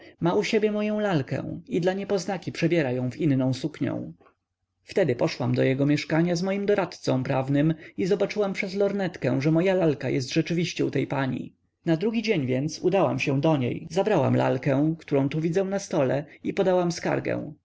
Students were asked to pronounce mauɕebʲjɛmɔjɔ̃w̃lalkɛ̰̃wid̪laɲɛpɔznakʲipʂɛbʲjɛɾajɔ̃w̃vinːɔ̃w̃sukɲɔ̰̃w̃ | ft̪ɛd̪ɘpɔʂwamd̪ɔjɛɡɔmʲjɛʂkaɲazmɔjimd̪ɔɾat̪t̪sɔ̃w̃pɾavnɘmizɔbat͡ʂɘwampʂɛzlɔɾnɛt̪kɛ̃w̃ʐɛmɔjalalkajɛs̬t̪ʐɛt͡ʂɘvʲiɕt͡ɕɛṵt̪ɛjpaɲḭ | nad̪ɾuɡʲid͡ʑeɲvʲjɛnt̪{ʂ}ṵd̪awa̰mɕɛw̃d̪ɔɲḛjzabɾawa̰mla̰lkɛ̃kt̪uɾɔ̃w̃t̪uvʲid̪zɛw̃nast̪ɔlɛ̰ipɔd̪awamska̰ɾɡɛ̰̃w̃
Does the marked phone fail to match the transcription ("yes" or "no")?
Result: yes